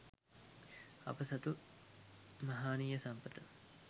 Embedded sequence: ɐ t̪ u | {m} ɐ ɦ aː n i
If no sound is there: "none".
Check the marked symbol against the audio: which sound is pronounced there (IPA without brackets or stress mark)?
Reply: m